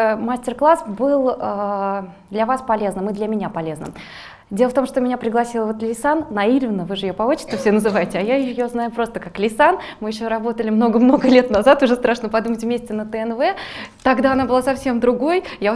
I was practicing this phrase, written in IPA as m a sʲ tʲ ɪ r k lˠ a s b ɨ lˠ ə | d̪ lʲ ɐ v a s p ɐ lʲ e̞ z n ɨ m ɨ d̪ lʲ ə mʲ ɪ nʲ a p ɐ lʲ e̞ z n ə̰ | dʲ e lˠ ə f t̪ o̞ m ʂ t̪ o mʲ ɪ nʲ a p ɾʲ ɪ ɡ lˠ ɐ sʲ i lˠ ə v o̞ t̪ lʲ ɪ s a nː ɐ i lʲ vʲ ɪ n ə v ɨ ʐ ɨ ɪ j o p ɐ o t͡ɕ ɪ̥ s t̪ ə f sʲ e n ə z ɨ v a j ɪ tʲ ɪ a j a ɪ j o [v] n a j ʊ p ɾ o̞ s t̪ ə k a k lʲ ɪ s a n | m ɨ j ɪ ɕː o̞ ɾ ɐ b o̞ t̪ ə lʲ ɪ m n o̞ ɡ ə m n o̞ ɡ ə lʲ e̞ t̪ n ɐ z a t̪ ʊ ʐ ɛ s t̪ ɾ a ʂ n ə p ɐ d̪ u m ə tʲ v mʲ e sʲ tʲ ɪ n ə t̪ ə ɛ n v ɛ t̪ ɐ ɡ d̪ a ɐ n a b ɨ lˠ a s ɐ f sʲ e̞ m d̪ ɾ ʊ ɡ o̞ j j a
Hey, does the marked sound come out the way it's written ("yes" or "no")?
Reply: no